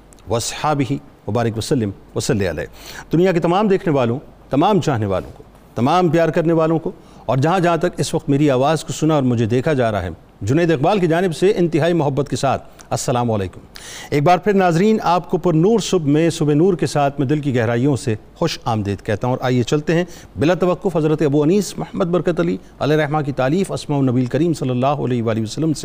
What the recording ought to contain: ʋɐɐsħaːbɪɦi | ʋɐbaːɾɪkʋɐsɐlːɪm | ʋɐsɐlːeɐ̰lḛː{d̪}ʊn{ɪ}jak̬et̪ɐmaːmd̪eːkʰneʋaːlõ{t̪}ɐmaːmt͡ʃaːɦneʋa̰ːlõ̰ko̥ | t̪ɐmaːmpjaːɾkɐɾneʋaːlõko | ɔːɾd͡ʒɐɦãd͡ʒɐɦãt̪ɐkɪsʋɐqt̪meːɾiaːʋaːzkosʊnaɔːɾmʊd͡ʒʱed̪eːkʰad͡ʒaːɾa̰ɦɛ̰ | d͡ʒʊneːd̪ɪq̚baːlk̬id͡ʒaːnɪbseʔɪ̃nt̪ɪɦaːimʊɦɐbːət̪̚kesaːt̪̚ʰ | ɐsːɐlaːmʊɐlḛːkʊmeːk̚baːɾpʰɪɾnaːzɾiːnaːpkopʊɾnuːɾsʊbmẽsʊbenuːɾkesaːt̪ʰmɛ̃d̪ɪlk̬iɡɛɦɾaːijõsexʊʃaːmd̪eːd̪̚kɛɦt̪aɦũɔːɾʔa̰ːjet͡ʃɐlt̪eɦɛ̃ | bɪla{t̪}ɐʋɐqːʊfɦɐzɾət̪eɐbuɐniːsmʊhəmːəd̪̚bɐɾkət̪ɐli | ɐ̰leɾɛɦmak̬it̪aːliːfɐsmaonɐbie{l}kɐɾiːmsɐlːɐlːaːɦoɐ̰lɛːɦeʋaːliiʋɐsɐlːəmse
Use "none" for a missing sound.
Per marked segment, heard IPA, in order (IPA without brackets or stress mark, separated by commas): d̪, i, t̪, t̪, l